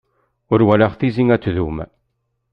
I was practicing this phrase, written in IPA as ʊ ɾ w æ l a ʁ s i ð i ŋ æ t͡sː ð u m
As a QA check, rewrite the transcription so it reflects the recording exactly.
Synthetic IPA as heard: ʊ ɾ w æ l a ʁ θ i z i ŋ æ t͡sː ð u m